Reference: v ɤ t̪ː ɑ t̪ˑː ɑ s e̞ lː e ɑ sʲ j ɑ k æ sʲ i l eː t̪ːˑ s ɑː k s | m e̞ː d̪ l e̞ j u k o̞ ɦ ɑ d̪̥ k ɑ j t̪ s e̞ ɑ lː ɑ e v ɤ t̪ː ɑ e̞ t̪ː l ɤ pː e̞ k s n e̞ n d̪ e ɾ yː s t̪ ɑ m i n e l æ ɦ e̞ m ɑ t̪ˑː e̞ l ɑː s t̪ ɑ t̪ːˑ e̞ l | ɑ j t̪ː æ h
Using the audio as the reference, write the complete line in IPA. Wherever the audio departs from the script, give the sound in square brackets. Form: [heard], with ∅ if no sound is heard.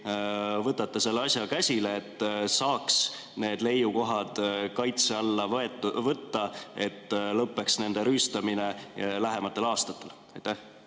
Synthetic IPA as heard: v ɤ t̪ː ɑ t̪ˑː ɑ s e̞ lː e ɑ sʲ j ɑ k æ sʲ i l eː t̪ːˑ s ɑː k s | [n] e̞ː d̪ l e̞ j u k o̞ ɦ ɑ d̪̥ k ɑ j t̪ s e̞ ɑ lː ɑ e v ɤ t̪ː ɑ e̞ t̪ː l ɤ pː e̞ k s n e̞ n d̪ e ɾ yː s t̪ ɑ m i n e l æ ɦ e̞ m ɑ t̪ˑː e̞ l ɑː s t̪ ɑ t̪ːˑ e̞ l | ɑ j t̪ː æ h